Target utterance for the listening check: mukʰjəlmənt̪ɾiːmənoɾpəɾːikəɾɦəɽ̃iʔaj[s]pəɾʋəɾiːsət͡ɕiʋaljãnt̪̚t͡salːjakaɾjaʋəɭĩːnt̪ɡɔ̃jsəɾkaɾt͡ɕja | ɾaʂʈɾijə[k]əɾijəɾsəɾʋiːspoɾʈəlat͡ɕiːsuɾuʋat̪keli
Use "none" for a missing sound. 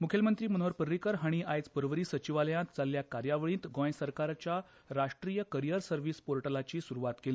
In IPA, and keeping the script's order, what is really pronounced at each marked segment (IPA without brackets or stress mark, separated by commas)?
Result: t͡s, k